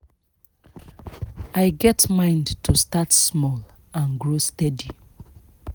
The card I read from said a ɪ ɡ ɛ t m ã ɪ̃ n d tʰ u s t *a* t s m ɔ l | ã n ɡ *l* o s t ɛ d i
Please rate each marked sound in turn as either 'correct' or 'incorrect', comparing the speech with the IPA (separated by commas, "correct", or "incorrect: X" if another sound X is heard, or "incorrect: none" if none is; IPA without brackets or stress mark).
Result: correct, incorrect: ɹ